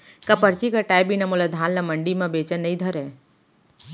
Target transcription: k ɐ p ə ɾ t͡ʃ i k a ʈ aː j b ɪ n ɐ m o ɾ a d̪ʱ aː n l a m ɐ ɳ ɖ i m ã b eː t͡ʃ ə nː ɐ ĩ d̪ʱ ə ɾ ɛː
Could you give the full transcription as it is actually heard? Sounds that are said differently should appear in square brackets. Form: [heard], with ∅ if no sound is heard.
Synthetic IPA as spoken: k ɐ p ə ɾ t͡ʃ i k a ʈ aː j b [i] n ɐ m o [l] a d̪ʱ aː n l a m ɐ ɳ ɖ i m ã b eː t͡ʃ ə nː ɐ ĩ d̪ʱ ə ɾ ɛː